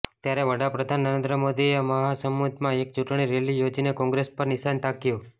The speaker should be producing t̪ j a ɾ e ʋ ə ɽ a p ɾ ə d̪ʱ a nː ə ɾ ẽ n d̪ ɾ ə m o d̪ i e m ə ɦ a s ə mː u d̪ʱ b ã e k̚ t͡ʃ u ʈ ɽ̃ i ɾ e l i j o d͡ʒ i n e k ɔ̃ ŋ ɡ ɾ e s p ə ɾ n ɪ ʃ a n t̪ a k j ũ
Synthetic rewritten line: t̪ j a ɾ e ʋ ə ɽ a p ɾ ə d̪ʱ a nː ə ɾ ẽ n d̪ ɾ ə m o d̪ i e m ə ɦ a s ə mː u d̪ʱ m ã e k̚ t͡ʃ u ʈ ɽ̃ i ɾ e l i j o d͡ʒ i n e k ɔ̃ ŋ ɡ ɾ e s p ə ɾ n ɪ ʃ a n t̪ a k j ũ